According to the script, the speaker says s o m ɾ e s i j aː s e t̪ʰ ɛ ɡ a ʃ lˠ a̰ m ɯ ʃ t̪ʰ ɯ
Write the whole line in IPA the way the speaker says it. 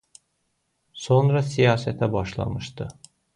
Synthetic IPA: s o n ɾ a s i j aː s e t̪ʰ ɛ b a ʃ lˠ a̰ m ɯ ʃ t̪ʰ ɯ